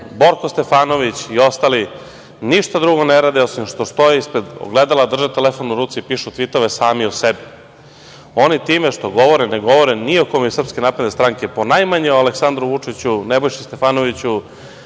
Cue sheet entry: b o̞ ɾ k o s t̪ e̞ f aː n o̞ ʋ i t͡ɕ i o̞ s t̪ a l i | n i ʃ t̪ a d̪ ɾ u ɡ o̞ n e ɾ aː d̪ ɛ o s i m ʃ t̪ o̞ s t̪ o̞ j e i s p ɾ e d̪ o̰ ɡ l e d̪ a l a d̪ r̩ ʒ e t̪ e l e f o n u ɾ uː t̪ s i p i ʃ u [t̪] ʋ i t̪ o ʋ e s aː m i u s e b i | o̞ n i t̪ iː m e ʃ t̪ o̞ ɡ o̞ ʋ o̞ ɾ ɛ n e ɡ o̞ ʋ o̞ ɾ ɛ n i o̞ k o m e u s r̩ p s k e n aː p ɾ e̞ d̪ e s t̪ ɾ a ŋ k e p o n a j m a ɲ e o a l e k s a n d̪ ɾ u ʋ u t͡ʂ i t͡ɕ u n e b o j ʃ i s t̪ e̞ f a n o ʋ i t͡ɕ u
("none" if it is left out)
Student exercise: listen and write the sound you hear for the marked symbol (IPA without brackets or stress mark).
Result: t̪